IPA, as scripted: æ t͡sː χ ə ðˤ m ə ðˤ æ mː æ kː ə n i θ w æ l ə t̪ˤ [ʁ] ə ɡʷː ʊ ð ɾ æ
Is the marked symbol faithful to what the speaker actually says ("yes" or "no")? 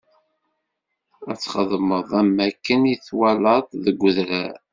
no